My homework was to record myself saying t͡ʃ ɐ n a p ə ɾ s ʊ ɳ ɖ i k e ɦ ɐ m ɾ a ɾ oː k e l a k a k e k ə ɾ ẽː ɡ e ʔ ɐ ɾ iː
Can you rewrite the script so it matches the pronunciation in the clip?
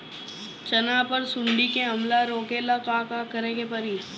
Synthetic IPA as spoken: t͡ʃ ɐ n a p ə ɾ s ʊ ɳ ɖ i k e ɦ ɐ m l a ɾ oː k e l a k a k a k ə ɾ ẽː ɡ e p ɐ ɾ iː